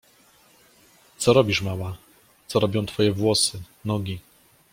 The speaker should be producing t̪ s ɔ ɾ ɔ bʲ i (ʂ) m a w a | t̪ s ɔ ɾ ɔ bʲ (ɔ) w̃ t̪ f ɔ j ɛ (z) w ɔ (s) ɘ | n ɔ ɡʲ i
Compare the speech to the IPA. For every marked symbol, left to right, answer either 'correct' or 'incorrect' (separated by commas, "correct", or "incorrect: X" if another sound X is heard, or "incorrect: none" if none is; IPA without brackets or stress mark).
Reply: correct, incorrect: ɔ̃, incorrect: v, correct